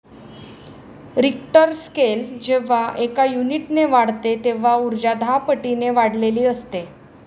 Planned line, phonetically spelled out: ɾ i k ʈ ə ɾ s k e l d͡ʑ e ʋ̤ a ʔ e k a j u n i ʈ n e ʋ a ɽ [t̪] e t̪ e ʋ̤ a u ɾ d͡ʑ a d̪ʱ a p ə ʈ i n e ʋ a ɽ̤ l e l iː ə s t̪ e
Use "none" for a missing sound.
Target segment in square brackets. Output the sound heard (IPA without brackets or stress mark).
t̪